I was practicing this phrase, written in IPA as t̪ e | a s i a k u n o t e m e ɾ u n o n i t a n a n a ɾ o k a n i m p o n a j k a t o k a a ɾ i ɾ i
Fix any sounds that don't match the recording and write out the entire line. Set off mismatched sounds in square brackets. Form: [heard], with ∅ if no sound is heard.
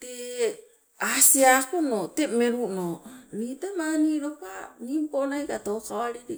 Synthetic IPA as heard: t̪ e | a s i a k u n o t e m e ɾ u n o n i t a [m] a n [i] ɾ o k a n i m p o n a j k a t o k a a ɾ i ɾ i